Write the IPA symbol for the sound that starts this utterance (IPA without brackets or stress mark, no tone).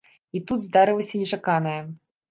i